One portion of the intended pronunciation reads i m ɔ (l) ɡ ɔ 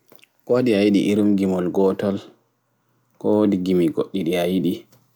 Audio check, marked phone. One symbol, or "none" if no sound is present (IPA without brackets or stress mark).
l